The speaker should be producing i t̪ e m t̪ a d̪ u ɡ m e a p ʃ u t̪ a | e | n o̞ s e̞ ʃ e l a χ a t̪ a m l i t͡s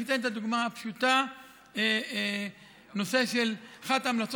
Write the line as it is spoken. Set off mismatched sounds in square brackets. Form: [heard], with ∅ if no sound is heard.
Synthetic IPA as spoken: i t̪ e [n] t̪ a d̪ u ɡ m [a] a p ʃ u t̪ a | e | n o̞ s e̞ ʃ e l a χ a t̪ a m l [a] t͡s